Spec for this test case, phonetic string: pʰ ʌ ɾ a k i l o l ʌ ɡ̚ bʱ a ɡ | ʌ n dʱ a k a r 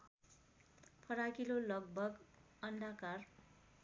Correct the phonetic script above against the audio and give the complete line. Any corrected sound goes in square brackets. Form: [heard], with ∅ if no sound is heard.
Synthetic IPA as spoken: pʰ ʌ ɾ a k i l o l ʌ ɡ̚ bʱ [ʌ] ɡ | ʌ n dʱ a k a r